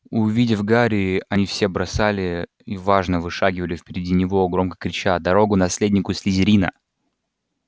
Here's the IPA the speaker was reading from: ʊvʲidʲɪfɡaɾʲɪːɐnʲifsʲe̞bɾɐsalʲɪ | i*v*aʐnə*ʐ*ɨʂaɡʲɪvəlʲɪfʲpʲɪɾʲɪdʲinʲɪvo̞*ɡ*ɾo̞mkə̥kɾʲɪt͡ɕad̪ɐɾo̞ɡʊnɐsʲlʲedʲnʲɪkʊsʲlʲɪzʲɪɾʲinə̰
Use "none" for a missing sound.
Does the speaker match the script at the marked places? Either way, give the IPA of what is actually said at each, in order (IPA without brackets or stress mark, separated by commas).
v, v, ɡ